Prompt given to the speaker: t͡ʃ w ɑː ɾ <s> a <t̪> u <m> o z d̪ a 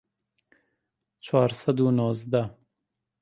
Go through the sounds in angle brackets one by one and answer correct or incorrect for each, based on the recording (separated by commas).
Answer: correct, incorrect, incorrect